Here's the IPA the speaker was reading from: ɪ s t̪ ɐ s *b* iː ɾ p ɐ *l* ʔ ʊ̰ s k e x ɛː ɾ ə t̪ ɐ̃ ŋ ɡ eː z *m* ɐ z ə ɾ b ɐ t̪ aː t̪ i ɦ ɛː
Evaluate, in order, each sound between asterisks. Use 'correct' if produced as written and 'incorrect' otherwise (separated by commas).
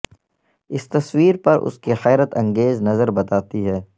incorrect, incorrect, incorrect